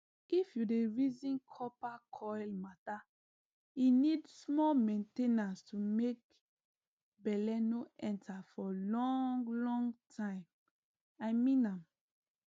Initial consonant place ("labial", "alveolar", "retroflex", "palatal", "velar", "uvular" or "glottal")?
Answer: labial